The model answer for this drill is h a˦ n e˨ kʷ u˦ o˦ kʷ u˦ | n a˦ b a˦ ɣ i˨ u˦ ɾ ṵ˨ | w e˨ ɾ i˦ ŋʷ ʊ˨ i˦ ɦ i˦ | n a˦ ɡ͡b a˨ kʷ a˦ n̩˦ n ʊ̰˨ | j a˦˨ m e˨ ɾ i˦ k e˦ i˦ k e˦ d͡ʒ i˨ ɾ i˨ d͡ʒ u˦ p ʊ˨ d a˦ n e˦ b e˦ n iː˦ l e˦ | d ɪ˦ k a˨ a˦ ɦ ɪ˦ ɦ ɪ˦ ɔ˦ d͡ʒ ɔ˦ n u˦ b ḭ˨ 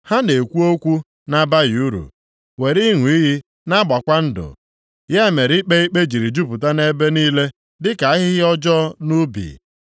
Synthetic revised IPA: h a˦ n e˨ kʷ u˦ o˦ kʷ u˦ | n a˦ b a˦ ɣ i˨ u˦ ɾ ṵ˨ | w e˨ ɾ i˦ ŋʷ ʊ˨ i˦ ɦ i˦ | n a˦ ɡ͡b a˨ kʷ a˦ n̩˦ d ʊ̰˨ | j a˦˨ m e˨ ɾ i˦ k͡p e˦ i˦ k͡p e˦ d͡ʒ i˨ ɾ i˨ d͡ʒ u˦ p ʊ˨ t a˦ n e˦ b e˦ n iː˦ l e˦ | d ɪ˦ k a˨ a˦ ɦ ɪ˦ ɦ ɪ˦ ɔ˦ d͡ʒ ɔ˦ n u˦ b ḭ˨

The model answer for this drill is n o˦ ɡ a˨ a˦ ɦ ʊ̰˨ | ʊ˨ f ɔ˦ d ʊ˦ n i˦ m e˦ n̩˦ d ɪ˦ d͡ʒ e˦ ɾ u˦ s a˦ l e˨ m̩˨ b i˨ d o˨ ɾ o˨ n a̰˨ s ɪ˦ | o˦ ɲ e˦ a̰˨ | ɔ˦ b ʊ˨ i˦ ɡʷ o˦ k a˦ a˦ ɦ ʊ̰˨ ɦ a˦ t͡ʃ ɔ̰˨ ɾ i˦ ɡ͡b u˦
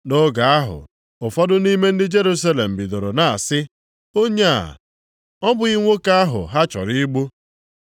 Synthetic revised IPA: n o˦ ɡ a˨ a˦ ɦ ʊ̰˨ | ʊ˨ f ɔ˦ d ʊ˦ n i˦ m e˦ n̩˦ d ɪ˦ d͡ʒ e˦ ɾ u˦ s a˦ l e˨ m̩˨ b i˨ d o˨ ɾ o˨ n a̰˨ s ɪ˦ | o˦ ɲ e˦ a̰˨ | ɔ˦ b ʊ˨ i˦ ŋʷ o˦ k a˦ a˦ ɦ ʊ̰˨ ɦ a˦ t͡ʃ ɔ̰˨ ɾ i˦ ɡ͡b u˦

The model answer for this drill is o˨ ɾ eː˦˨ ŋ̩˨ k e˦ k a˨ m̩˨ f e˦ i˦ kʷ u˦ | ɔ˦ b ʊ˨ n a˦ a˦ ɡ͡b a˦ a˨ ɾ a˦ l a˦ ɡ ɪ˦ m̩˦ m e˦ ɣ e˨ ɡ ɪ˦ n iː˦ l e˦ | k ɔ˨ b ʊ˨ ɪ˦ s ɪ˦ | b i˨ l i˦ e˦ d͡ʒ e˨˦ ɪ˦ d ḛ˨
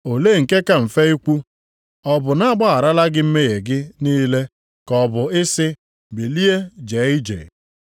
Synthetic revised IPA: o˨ l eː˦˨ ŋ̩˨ k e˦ k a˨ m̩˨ f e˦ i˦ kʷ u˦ | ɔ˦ b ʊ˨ n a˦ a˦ ɡ͡b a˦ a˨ ɾ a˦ l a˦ ɡ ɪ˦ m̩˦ m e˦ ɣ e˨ ɡ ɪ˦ n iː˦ l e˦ | k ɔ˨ b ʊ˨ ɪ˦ s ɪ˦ | b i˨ l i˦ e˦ d͡ʒ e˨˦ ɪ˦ d͡ʒ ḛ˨

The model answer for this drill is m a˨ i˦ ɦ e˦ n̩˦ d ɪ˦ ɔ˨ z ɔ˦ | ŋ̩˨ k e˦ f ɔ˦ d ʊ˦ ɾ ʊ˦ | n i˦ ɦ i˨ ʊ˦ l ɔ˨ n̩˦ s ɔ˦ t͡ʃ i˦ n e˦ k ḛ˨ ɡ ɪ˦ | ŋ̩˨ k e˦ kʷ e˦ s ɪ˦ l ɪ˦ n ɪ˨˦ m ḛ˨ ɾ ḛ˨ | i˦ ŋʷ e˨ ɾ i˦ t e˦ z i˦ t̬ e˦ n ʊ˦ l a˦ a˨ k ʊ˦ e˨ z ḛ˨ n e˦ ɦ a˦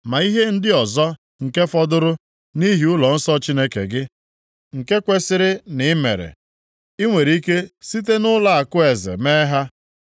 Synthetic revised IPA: m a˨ i˦ ɦ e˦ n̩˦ d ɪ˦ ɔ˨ z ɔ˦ | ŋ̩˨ k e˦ f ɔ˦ d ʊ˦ ɾ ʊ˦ | n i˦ ɦ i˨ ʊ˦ l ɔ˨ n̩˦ s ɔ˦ t͡ʃ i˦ n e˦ k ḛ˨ ɡ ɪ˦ | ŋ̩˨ k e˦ kʷ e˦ s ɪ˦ ɾ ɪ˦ n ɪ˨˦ m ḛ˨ ɾ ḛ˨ | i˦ ŋʷ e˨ ɾ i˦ k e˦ s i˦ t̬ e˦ n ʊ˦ l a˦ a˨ k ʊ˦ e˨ z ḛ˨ m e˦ ɦ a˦

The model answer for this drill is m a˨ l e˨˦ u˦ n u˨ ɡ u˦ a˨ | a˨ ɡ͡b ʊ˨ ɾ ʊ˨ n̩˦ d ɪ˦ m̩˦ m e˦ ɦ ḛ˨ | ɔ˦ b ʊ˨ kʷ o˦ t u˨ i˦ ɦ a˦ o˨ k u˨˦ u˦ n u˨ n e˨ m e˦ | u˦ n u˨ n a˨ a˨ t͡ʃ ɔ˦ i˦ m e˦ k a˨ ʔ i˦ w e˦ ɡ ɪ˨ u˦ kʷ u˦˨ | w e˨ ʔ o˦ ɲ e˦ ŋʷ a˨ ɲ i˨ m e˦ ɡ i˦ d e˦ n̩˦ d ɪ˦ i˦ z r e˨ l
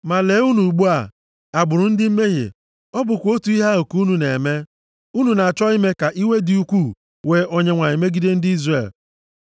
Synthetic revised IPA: m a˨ l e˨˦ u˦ n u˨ ɡ͡b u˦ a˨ | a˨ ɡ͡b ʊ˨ ɾ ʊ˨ n̩˦ d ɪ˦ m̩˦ m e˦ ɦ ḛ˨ | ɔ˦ b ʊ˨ kʷ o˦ t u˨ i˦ ɦ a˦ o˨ k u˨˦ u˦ n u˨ n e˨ m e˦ | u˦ n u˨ n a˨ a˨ t͡ʃ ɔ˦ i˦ m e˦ k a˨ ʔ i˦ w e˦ d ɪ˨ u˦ kʷ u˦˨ | w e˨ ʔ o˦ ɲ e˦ ŋʷ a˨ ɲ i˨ m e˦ ɡ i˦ d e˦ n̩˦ d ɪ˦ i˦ z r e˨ l

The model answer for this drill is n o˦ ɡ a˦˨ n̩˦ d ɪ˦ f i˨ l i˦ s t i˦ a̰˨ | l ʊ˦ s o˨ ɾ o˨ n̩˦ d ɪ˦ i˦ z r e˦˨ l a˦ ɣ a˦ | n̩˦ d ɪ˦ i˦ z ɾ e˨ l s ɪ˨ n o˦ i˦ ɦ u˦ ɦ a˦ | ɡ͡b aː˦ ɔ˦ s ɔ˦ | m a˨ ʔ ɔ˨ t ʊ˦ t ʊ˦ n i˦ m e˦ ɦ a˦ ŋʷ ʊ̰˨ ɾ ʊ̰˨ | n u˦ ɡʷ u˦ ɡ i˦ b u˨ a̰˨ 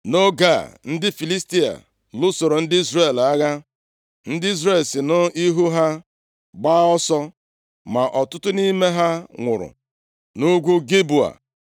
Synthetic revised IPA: n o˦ ɡ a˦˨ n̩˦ d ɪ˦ f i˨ l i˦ s t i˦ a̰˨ | l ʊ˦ s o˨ ɾ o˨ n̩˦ d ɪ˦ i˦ z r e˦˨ l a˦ ɣ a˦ | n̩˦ d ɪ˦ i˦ z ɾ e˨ l s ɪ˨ n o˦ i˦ ɦ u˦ ɦ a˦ | ɡ͡b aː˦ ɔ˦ s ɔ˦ | m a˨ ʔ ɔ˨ t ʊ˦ t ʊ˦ n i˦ m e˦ ɦ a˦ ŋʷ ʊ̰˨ ɾ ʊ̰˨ | n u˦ ɡʷ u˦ ɡ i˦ b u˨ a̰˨

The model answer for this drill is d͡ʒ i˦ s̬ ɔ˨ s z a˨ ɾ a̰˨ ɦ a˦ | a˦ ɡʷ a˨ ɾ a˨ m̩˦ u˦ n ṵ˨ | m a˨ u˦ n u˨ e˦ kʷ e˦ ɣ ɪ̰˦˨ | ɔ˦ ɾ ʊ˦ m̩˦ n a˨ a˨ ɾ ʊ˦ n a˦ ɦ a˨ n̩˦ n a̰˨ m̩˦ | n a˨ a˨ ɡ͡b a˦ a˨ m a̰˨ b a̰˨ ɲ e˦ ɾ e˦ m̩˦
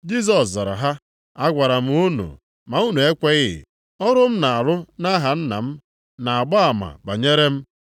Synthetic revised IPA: d͡ʒ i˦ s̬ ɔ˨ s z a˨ ɾ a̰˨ ɦ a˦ | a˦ ɡʷ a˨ ɾ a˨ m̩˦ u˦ n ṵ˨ | m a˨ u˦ n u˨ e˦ kʷ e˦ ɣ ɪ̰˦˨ | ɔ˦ ɾ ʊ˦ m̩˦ n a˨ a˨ ɾ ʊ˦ n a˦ ɦ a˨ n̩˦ n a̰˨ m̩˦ | n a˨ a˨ ɡ͡b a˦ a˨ m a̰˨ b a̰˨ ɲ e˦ ɾ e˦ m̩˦

